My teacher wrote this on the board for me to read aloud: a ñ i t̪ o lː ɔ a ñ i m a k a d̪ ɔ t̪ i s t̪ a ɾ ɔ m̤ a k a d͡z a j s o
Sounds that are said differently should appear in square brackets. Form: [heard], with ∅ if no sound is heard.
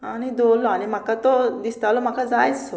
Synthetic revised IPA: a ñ i [d̪] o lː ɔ a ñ i m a k a [t̪] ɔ [d̪] i s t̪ a [l] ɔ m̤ a k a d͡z a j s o